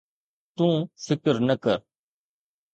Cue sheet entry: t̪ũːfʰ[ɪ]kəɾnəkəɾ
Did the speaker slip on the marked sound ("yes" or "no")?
no